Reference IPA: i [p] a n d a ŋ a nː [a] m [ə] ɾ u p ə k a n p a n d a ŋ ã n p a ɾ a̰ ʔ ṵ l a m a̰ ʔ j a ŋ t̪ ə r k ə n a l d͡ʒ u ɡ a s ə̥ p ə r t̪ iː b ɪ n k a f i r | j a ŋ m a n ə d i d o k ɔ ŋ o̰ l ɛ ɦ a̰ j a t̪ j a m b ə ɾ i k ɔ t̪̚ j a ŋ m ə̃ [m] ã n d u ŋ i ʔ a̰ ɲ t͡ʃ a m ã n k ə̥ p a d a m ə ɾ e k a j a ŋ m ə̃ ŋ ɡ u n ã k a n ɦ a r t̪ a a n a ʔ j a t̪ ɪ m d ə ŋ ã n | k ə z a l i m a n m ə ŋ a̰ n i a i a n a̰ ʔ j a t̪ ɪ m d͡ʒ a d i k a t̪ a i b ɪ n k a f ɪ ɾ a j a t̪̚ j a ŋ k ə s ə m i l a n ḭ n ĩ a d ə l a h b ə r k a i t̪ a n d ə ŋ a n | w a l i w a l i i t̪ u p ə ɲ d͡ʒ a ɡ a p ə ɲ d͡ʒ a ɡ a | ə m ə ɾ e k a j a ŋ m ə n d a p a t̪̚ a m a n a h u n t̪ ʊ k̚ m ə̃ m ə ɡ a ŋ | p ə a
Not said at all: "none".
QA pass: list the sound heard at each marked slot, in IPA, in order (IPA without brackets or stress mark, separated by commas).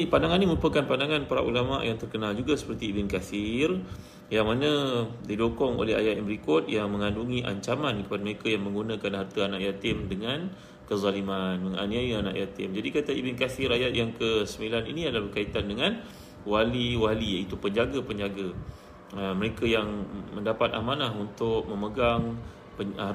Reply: p, i, ə, ŋ